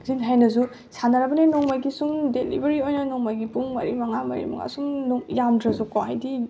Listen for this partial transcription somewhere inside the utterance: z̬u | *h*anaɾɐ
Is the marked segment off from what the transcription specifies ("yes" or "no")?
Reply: yes